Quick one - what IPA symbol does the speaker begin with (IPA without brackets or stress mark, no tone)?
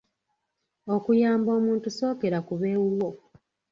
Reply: o̞